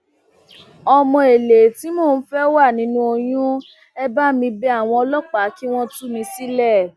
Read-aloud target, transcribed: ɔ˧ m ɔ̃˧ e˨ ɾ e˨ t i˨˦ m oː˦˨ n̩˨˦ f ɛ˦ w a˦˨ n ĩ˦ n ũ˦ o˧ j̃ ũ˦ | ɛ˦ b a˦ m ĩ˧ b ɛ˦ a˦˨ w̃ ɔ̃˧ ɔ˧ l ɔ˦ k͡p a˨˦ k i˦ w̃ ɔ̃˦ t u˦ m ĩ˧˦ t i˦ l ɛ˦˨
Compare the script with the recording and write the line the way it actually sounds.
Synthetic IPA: ɔ˧ m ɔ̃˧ e˨ l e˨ t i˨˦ m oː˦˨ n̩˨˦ f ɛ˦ w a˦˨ n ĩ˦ n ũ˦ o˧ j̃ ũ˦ | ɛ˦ b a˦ m ĩ˧ b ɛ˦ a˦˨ w̃ ɔ̃˧ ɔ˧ l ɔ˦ k͡p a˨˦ k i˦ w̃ ɔ̃˦ t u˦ m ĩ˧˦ s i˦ l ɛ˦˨